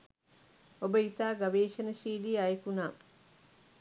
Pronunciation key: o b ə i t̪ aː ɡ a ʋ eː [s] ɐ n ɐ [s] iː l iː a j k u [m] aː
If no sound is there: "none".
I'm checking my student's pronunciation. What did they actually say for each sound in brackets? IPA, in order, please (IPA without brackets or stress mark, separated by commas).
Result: ʃ, ʃ, n